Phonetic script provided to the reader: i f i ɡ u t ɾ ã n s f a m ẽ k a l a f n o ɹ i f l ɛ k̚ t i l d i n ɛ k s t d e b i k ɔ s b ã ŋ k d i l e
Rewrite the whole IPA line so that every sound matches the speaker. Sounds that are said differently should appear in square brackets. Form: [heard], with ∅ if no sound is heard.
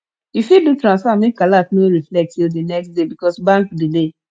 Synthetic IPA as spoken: i f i [d] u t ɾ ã n s f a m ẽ k a l a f n o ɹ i f l ɛ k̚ t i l d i n ɛ k s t d e b i k ɔ s b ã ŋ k d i l e

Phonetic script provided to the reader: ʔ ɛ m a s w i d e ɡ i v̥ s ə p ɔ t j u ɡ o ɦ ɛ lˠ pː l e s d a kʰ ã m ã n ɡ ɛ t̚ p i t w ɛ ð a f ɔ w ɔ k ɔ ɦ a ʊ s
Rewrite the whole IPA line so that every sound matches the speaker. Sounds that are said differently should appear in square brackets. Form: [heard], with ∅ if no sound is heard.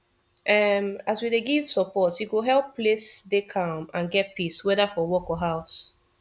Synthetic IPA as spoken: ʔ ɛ m a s w i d e ɡ i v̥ s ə p ɔ t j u ɡ o ɦ ɛ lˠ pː l e s d [e] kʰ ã m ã n ɡ ɛ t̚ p i [s] w ɛ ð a f ɔ w ɔ k ɔ ɦ a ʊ s

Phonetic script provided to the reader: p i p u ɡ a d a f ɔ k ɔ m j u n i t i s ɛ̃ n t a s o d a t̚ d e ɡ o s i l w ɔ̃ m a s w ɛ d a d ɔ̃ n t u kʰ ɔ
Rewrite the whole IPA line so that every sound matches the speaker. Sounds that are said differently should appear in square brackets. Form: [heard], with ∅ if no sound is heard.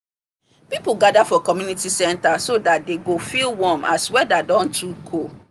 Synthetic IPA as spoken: p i p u ɡ a d a f ɔ k ɔ m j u n i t i s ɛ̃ n t a s o d a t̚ d e ɡ o [f] i l w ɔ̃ m a s w ɛ d a d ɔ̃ n t u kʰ [o]

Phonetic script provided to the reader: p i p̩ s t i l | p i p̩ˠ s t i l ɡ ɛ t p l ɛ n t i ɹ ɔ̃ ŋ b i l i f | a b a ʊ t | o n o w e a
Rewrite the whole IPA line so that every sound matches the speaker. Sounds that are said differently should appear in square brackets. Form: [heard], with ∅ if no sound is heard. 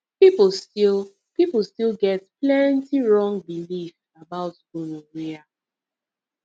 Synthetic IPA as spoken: p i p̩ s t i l | p i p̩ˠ s t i l ɡ ɛ t p l ɛ n t i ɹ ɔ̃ ŋ b i l i f | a b a ʊ t | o n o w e a

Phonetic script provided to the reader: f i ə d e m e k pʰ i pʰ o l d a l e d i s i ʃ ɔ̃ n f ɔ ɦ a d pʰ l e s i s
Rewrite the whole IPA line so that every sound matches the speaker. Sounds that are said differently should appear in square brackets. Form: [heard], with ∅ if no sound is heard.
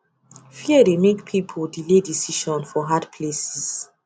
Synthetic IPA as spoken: f i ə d e m e k pʰ i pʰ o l d [i] l e d i s i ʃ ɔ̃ n f ɔ ɦ a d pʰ l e s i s

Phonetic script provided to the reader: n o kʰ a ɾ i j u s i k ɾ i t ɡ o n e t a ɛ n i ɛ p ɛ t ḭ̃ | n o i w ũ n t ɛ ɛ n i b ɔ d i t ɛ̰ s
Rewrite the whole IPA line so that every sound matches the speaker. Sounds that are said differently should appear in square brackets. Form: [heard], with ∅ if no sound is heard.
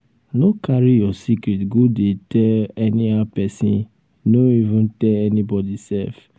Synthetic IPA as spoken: n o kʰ a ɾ i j [ɔ] s i k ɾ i t ɡ o [d] e t [ɛ] ɛ n i [a] p ɛ [s] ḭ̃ | n o i [v] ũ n t ɛ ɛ n i b ɔ d i [s] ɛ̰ [f]

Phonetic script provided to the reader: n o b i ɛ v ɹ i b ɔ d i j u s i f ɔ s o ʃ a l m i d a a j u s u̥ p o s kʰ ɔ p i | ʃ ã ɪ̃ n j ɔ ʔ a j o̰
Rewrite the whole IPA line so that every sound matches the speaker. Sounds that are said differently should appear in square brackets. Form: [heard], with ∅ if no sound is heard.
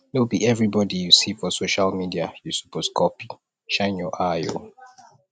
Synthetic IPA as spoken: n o b i ɛ v ɹ i b ɔ d i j u s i f ɔ s o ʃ a l m i d [i] a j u s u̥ p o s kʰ ɔ p i | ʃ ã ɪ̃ n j ɔ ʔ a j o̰

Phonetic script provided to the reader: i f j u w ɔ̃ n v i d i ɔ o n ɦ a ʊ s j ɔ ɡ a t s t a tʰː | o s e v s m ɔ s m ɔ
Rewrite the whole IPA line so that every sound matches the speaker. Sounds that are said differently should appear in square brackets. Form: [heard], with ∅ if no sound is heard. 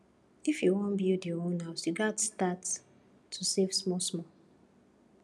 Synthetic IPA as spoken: i f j u w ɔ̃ n [b] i d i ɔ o n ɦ a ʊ s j [u] ɡ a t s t a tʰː | [u] s e v s m ɔ s m ɔ

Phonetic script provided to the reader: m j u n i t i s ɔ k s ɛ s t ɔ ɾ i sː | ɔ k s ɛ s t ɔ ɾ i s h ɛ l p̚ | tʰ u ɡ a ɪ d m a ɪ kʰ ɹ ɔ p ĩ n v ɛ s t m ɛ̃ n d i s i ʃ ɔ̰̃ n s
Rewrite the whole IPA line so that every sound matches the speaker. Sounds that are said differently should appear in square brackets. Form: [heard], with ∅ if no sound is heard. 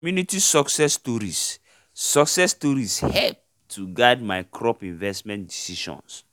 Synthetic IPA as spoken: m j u n i t i s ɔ k s ɛ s t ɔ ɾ i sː | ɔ k s ɛ s t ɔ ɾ i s h ɛ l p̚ | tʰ u ɡ a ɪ d m a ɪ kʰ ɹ ɔ p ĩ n v ɛ s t m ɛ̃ n d i s i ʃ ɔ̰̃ n s

